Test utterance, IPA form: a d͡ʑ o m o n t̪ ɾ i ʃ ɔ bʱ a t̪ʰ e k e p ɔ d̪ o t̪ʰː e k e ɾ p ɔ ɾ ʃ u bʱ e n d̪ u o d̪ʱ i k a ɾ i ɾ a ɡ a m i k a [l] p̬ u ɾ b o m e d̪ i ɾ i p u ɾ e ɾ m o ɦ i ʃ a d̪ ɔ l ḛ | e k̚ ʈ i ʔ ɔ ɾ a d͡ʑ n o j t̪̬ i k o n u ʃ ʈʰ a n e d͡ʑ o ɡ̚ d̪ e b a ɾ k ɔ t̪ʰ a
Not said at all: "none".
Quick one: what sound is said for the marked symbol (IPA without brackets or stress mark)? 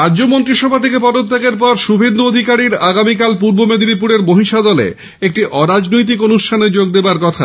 l